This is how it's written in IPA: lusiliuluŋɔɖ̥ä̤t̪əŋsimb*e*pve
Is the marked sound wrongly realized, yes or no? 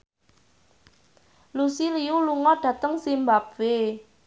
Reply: yes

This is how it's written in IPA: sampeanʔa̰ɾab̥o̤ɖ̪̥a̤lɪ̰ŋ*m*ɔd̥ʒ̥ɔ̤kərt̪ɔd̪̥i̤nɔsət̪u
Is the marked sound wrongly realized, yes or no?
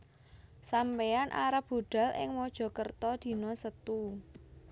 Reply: no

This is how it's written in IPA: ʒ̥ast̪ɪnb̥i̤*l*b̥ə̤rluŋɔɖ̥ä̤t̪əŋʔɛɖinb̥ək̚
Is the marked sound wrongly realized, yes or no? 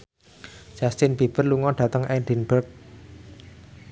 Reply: yes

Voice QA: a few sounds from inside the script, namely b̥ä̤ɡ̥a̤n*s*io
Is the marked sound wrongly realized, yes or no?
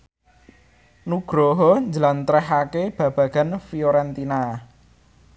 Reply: yes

